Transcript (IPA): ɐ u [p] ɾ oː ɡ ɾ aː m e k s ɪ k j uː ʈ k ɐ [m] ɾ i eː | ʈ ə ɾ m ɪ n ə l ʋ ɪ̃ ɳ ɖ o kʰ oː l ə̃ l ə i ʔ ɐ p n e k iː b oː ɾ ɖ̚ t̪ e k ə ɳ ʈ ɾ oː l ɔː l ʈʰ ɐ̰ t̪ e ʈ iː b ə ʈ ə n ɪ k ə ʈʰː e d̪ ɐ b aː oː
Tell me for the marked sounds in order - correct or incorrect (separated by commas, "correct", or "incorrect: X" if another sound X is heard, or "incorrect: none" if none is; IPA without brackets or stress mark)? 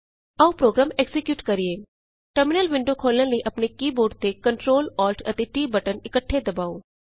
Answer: correct, incorrect: none